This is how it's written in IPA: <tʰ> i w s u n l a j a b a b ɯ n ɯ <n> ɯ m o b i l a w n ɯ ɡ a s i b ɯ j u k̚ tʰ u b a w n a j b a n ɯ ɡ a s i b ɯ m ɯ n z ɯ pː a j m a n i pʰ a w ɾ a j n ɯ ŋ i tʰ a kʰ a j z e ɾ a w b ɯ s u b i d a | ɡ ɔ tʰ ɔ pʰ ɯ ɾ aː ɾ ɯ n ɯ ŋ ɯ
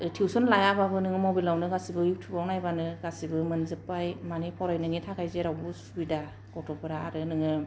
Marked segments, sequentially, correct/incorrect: correct, incorrect

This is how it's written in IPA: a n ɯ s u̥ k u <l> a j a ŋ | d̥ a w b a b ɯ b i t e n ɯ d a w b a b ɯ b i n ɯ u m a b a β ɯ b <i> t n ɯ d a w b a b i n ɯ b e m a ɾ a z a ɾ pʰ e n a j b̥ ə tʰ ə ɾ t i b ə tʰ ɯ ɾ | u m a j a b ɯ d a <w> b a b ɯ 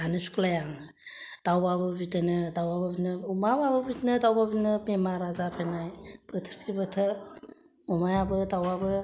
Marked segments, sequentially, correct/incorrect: correct, correct, correct

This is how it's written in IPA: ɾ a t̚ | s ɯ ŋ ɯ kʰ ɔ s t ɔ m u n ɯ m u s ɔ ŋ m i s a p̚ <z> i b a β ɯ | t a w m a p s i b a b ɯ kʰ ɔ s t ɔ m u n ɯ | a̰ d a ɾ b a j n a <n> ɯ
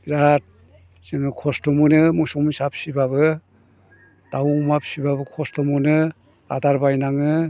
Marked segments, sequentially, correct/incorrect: incorrect, incorrect

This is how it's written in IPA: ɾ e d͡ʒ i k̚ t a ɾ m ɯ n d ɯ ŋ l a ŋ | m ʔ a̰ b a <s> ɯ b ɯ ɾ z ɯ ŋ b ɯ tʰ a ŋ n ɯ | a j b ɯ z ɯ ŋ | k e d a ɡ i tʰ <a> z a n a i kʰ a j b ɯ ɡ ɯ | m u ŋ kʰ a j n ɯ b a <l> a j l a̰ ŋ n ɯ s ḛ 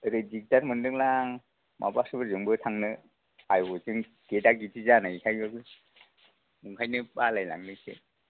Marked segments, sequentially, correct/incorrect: correct, incorrect, correct

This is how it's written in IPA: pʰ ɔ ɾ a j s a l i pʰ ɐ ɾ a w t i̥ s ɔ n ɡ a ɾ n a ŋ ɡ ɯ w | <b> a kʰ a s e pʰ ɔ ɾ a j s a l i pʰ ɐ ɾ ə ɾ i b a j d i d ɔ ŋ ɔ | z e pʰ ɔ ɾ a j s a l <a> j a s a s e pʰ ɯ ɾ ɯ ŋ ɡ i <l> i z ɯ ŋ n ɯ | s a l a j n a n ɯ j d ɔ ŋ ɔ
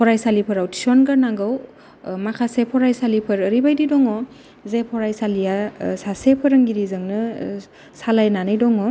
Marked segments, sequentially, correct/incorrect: incorrect, incorrect, incorrect

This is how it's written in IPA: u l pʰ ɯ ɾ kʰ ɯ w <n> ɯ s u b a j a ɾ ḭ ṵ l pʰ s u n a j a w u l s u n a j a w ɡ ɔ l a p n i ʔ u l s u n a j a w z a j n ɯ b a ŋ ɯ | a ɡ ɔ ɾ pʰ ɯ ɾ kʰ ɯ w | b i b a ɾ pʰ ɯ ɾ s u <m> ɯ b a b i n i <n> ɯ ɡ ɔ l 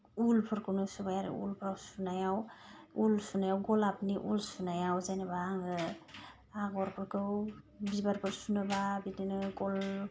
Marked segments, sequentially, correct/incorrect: correct, incorrect, correct

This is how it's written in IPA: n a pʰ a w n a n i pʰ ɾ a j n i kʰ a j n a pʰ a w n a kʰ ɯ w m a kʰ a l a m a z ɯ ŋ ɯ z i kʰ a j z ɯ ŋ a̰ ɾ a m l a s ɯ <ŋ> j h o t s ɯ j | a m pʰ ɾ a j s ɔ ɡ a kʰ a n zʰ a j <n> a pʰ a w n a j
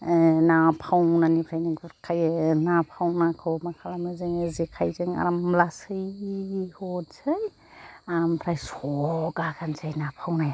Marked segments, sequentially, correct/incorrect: incorrect, correct

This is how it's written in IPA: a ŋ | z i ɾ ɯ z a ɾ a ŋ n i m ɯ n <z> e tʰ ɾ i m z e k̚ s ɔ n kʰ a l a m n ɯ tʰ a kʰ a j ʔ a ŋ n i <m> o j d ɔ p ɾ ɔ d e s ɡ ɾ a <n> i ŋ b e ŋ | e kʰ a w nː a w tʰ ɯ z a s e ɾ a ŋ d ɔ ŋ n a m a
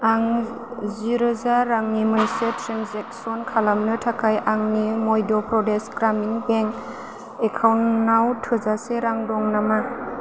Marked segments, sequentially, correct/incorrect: incorrect, correct, incorrect

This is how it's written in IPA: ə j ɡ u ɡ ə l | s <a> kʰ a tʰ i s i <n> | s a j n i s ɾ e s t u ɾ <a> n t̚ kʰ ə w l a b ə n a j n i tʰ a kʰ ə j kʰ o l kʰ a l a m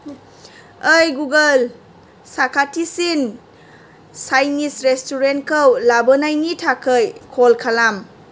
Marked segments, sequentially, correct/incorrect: correct, correct, incorrect

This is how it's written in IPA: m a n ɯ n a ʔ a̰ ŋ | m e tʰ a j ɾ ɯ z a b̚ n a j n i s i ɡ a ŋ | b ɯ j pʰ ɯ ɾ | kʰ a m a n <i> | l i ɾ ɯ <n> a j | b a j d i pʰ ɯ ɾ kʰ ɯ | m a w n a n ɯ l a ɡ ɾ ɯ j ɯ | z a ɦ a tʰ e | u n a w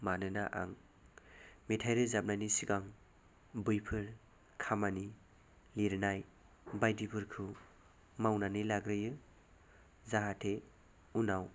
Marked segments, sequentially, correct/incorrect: correct, correct

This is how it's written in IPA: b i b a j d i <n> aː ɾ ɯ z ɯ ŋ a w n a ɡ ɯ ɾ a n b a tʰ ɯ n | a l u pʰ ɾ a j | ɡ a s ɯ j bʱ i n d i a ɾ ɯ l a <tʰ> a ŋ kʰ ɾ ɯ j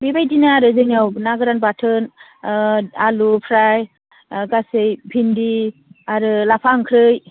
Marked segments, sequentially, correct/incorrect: correct, incorrect

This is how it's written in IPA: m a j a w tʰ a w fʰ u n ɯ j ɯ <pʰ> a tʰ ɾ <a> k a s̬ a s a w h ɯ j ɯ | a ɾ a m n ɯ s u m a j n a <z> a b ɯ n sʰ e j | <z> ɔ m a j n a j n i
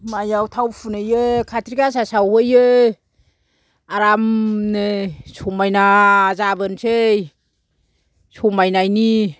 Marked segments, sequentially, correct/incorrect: incorrect, incorrect, correct, incorrect

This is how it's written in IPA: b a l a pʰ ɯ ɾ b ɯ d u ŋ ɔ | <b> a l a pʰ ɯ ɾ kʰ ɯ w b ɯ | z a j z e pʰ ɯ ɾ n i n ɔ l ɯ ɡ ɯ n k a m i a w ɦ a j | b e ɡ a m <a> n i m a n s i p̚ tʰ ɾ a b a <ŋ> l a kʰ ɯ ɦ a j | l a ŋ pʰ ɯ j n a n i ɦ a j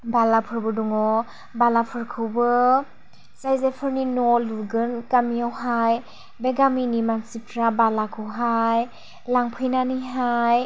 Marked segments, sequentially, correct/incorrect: correct, incorrect, incorrect

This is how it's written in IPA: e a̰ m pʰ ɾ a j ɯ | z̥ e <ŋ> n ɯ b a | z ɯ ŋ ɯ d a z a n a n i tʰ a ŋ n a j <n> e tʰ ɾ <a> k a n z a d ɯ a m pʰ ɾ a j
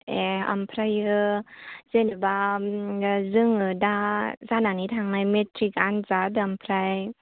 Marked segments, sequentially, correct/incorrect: incorrect, incorrect, incorrect

